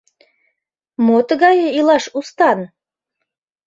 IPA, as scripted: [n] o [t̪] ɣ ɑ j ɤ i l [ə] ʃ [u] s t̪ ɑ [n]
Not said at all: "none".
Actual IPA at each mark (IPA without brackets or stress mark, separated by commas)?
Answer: m, t̪, ɑ, u, n